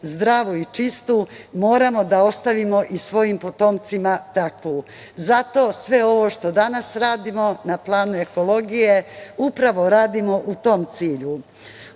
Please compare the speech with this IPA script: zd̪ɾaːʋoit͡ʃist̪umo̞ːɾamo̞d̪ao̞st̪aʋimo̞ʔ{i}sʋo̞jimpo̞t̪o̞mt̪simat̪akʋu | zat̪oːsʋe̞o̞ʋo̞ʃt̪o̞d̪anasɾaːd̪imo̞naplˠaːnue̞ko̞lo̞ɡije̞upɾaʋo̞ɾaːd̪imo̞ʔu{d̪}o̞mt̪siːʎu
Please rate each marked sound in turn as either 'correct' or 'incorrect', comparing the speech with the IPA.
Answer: correct, incorrect

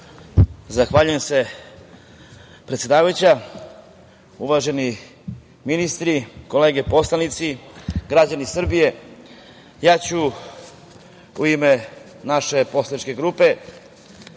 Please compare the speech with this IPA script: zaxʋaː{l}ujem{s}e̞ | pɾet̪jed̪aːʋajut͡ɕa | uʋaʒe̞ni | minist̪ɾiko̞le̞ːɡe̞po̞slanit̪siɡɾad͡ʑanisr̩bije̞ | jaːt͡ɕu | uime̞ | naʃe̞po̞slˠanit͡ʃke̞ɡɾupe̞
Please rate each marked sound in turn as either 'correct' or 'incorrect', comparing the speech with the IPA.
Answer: incorrect, correct

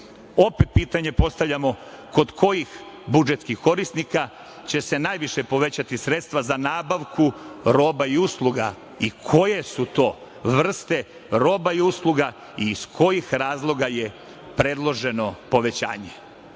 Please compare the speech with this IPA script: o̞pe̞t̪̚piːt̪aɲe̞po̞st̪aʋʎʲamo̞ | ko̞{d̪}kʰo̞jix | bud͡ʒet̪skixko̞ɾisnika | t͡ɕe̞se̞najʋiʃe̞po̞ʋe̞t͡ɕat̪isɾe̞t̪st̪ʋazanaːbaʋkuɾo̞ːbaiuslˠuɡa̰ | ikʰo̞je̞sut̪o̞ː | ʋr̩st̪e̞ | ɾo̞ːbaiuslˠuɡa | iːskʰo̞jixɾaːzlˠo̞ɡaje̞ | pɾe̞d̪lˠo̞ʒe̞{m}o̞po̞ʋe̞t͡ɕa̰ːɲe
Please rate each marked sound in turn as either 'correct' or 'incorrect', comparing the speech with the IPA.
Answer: correct, incorrect

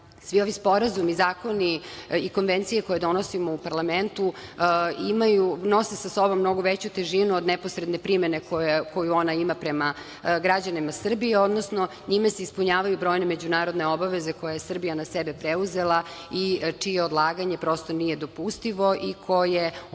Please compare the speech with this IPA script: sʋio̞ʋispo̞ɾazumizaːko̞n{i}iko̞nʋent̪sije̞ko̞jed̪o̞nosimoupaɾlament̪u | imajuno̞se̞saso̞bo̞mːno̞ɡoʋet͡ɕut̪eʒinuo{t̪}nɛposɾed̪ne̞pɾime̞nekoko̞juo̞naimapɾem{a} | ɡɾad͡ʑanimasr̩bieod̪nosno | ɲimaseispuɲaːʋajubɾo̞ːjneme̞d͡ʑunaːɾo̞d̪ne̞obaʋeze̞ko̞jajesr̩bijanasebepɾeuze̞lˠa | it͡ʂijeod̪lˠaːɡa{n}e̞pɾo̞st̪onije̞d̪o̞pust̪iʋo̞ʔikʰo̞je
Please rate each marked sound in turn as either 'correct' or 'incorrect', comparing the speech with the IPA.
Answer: correct, incorrect, correct, incorrect

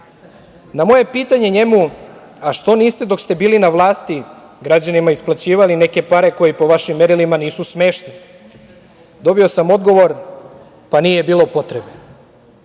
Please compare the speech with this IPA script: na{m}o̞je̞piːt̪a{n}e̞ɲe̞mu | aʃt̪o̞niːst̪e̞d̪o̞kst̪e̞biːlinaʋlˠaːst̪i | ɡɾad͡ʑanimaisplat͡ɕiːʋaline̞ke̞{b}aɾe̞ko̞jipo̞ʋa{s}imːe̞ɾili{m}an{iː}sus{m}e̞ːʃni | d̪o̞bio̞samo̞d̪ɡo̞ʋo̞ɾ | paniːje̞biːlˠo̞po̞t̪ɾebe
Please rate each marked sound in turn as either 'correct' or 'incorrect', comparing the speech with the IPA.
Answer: correct, incorrect, incorrect, incorrect, correct, correct, correct

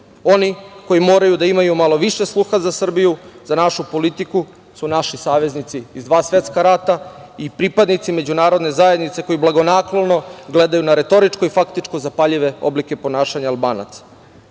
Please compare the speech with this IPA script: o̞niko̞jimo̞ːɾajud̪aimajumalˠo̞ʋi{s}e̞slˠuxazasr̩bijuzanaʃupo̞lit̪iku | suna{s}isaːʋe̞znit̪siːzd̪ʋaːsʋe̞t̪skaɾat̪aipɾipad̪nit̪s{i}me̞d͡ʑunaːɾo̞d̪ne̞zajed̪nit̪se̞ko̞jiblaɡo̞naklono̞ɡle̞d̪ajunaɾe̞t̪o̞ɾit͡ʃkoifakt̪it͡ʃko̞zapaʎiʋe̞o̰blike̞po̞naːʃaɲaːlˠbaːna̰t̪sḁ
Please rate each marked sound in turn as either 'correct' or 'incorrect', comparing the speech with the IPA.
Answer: incorrect, incorrect, correct

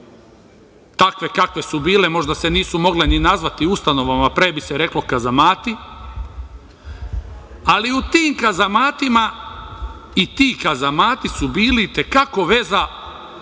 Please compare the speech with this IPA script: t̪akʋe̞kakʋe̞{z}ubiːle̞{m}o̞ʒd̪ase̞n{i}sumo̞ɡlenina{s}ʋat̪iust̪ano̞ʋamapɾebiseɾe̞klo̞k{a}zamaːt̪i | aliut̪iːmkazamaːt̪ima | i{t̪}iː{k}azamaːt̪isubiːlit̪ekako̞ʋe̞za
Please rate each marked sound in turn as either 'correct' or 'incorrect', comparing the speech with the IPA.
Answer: incorrect, correct, incorrect, incorrect, correct, correct, correct

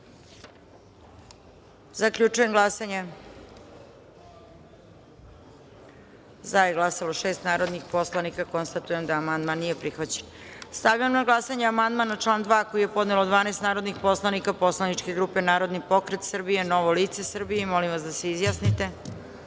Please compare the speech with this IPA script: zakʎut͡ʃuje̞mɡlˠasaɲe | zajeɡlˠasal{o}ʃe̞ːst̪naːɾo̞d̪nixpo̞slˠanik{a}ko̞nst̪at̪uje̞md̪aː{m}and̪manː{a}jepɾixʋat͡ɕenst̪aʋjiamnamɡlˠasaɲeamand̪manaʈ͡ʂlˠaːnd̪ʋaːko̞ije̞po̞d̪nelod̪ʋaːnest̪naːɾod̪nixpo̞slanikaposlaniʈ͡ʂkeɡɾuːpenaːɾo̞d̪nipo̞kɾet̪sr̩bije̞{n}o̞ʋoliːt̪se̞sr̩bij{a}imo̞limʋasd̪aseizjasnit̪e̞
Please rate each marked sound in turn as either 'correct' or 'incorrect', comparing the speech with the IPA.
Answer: correct, correct, correct, incorrect, correct, incorrect

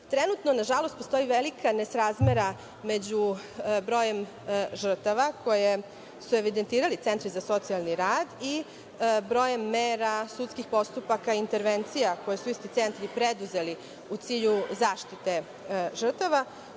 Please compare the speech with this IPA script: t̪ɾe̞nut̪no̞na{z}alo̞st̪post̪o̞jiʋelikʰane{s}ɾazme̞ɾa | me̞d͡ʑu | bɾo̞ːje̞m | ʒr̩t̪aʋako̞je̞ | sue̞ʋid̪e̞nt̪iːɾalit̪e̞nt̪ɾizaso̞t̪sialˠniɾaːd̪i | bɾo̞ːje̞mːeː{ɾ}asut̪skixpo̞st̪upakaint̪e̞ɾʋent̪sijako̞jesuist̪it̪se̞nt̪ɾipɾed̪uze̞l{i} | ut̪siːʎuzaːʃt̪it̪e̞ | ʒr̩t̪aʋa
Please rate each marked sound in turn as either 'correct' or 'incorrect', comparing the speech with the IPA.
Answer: incorrect, correct, correct, correct

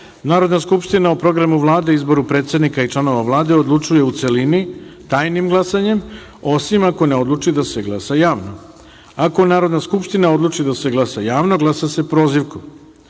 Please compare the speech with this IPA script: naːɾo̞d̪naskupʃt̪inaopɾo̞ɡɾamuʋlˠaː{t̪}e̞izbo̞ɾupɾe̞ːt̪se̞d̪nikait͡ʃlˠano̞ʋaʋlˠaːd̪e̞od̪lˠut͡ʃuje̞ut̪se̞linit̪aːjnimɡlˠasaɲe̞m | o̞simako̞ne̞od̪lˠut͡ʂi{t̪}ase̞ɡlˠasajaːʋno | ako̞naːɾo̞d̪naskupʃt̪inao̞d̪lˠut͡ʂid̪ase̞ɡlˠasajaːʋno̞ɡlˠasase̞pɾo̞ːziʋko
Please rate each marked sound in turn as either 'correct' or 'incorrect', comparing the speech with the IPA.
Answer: incorrect, incorrect

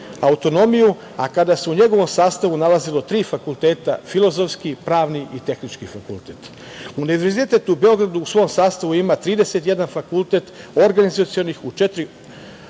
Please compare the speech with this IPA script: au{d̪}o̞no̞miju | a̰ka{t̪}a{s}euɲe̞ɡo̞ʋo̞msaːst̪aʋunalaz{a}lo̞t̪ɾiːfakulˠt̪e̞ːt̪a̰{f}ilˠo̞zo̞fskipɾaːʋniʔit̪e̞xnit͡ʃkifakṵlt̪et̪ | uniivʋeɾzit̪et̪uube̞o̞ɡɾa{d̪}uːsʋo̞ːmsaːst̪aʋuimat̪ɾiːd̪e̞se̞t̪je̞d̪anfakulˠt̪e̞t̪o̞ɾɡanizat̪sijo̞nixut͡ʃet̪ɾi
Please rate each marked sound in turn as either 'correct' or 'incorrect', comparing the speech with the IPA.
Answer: incorrect, incorrect, correct, incorrect, correct, correct

